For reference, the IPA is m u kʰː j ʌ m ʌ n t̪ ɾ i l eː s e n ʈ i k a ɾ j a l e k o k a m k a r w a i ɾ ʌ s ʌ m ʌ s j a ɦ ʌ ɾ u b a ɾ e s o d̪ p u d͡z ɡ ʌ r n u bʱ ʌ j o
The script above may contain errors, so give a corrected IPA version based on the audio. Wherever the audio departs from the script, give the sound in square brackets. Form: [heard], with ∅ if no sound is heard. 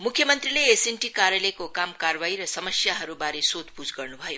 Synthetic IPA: m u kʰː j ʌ m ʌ n t̪ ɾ i l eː s e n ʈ i k a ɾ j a l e k o k a m k a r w a i ɾ ʌ s ʌ m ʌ s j a ɦ ʌ ɾ u b a ɾ e s o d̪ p u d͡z ɡ ʌ r n u bʱ ʌ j o